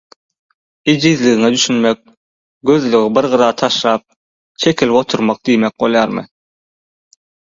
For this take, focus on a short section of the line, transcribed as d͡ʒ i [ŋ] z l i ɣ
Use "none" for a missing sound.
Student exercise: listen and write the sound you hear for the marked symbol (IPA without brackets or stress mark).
none